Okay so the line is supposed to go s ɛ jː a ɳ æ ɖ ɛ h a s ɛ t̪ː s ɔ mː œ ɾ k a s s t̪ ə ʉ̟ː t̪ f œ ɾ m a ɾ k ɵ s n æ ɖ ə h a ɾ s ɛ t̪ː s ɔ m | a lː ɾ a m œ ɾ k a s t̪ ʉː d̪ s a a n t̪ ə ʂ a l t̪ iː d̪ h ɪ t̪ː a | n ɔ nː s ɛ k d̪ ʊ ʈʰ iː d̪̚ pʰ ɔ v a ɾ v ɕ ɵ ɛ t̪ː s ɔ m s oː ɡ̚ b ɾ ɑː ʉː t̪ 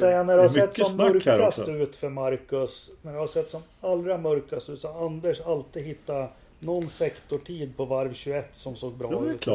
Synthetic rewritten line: s ɛ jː a n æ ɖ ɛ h a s ɛ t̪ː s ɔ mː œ ɾ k a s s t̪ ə ʉ̟ː t̪ f œ ɾ m a ɾ k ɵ s n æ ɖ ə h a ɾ s ɛ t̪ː s ɔ m | a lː ɾ a m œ ɾ k a s t̪ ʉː t̪ s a a n d̪ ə ʂ a l t̪ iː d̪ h ɪ t̪ː a | n ɔ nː s ɛ k t̪ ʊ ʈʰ iː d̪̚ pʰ ɔ v a ɾ v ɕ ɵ ɛ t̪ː s ɔ m s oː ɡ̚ b ɾ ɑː ʉː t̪